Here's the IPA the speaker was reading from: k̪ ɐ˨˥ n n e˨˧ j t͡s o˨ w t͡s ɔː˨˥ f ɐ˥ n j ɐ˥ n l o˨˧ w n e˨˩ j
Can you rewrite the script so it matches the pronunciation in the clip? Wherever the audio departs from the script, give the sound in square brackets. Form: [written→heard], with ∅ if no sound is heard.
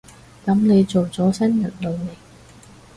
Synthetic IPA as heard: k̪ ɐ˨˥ [n→m] n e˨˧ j t͡s o˨ w t͡s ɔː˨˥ [f→s] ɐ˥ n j [ɐ˥→ɐ˨˩] n l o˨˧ w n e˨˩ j